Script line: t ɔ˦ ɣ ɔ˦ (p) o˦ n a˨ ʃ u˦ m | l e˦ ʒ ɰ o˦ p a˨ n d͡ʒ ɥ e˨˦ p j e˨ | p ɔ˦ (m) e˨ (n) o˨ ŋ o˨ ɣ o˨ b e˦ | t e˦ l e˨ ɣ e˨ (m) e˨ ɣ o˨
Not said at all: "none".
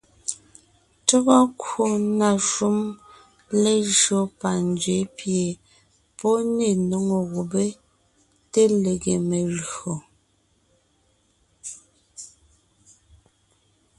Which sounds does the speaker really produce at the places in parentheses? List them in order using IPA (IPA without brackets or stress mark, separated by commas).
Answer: k, n, n, m